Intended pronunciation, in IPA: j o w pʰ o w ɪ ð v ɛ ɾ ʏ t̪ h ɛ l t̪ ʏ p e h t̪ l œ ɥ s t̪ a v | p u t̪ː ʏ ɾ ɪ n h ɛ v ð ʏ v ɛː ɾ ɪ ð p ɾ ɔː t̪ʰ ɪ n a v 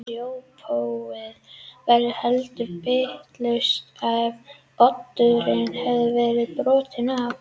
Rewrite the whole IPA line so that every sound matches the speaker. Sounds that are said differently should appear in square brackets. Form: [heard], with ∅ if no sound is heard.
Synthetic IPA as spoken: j o w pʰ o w ɪ ð v ɛ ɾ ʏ [∅] h ɛ l t̪ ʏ p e h t̪ l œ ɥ s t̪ a v | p [ɔ] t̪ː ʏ ɾ ɪ n h ɛ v ð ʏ v ɛː ɾ ɪ ð p ɾ ɔː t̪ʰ ɪ n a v